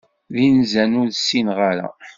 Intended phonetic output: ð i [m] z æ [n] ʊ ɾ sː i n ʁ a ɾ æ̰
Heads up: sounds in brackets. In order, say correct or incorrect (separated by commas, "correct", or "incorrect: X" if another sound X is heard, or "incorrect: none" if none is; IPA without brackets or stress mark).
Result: incorrect: n, correct